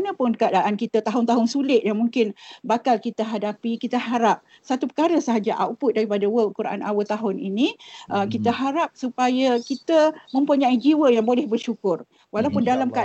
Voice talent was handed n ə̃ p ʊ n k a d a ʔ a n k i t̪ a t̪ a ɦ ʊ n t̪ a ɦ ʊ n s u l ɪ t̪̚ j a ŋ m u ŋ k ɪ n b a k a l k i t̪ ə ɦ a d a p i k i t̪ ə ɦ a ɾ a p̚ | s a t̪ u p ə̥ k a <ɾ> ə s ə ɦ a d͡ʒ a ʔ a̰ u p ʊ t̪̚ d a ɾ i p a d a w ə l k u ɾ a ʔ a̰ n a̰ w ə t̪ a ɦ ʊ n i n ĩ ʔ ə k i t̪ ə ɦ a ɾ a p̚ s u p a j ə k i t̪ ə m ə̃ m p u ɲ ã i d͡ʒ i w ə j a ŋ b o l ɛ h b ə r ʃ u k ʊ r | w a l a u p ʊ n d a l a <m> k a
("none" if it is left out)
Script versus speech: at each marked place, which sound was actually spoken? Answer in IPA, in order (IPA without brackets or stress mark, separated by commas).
ɾ, m